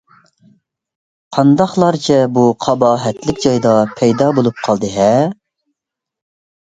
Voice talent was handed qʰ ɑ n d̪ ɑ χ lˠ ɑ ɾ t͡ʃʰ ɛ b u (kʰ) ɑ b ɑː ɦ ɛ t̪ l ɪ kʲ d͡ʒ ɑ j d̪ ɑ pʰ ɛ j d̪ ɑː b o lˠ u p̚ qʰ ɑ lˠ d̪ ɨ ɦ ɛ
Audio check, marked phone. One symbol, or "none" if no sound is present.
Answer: qʰ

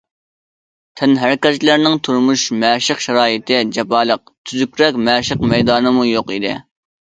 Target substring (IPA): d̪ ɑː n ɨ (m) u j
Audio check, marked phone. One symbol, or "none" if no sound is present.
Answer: m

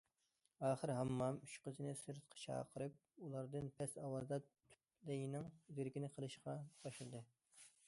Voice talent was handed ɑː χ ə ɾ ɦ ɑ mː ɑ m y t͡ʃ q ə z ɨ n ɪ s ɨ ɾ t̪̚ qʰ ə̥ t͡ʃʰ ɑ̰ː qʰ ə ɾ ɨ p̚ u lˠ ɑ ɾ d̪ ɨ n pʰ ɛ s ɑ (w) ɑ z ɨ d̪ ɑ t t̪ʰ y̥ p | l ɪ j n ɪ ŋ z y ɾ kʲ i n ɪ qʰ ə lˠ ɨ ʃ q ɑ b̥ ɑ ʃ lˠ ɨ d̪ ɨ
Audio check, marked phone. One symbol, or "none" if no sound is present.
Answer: w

